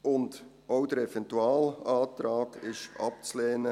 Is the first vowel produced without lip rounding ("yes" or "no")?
no